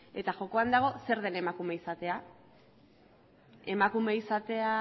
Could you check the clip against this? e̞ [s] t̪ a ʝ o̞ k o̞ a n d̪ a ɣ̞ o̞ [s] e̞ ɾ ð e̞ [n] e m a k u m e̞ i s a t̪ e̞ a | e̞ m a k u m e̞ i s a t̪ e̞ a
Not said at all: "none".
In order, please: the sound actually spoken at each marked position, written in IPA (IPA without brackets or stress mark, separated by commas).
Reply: none, s, n